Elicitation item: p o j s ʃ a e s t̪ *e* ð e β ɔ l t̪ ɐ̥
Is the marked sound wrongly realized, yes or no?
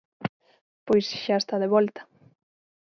yes